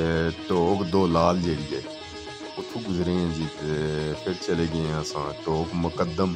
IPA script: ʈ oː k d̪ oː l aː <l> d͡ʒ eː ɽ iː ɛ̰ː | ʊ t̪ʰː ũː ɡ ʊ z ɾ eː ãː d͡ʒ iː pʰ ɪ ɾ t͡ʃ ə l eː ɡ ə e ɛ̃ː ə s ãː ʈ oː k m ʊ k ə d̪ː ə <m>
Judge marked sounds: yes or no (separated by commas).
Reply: yes, yes